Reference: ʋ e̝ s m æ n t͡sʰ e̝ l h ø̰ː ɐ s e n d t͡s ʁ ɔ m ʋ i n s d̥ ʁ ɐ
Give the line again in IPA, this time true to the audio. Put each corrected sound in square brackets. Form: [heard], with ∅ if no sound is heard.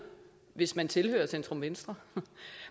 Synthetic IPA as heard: ʋ e̝ s m æ n t͡sʰ e̝ l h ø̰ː ɐ s e n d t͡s ʁ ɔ m ʋ [e] n s d̥ ʁ ɐ